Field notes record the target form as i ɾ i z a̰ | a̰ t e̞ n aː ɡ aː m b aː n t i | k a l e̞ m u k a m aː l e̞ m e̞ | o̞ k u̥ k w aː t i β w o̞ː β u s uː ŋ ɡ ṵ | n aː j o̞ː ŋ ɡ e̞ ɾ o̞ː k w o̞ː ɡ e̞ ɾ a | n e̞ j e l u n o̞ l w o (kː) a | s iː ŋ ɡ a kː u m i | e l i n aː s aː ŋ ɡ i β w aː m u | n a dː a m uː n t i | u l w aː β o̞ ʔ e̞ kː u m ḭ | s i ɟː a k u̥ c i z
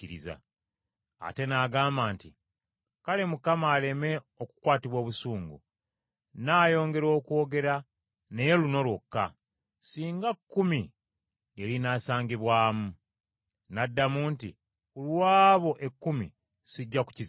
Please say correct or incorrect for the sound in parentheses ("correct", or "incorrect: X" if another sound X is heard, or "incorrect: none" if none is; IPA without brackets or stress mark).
correct